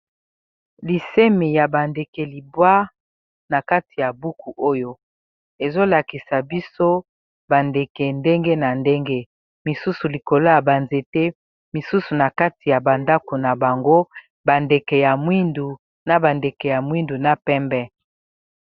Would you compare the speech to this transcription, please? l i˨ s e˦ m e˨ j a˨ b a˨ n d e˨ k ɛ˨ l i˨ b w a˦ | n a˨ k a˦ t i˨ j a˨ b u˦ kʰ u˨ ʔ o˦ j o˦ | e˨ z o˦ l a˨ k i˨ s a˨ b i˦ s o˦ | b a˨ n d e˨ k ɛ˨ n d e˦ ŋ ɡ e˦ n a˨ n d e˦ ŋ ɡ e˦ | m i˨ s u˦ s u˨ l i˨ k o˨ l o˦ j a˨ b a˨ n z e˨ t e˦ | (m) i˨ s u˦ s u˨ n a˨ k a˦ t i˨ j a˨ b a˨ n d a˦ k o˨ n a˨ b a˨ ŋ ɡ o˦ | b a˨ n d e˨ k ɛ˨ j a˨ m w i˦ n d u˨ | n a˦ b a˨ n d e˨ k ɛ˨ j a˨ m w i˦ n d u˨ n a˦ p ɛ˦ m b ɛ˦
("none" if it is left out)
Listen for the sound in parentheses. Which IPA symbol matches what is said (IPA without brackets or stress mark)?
m